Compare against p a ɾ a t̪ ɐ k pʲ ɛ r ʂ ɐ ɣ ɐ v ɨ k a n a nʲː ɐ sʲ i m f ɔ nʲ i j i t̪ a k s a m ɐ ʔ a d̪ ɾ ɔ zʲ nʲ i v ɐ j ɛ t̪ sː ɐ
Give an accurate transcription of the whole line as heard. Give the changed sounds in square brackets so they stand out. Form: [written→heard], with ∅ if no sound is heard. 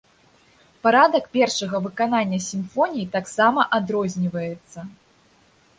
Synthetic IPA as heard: p a ɾ a [t̪→d̪] ɐ k pʲ ɛ r ʂ ɐ ɣ ɐ v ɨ k a n a nʲː ɐ sʲ i m f ɔ nʲ i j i t̪ a k s a m ɐ ʔ a d̪ ɾ ɔ zʲ nʲ i v ɐ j ɛ t̪ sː ɐ